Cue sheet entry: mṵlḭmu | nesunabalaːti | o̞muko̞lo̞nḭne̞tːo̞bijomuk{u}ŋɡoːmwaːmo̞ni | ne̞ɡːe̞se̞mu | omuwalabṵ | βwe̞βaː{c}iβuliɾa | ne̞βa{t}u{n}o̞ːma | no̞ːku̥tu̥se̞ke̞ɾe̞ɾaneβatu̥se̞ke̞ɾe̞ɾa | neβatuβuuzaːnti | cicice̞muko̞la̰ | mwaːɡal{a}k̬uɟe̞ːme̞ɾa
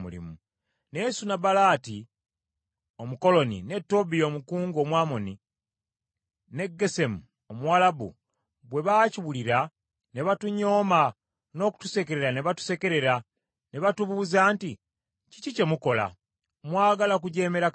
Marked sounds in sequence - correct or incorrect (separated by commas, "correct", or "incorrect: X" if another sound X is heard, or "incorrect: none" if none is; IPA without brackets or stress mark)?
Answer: incorrect: uː, correct, correct, incorrect: ɲ, correct